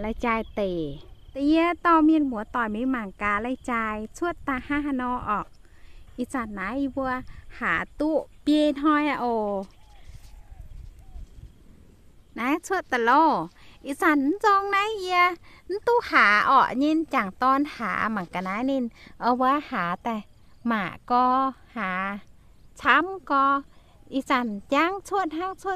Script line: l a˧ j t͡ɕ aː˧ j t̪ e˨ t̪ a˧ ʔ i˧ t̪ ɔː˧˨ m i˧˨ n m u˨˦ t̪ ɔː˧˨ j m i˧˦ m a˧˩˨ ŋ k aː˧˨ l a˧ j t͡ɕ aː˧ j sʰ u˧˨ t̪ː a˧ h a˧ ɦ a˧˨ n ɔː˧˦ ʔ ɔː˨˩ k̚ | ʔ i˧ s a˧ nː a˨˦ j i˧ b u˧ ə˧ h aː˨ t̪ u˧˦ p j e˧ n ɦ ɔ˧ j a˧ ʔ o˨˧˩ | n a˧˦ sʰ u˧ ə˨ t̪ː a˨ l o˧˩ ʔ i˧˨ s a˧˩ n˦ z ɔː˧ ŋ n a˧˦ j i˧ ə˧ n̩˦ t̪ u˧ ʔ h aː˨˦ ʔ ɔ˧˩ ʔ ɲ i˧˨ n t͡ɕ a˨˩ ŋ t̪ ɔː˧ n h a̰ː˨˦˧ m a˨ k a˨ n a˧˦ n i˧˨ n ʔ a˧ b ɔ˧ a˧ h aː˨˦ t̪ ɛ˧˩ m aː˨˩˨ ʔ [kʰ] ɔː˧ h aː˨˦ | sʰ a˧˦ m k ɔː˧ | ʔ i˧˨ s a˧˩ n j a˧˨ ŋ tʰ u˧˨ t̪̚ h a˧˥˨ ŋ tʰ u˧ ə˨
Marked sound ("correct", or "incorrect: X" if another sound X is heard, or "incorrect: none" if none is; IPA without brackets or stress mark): incorrect: k